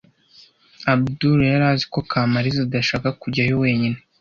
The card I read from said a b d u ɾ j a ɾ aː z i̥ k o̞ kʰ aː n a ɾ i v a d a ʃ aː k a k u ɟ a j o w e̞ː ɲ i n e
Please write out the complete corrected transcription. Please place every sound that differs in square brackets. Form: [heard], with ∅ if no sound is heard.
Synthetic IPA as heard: a b d u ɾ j a ɾ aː z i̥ k o̞ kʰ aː [m] a ɾ i [z] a d a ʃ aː k a k u ɟ a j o w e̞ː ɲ i n e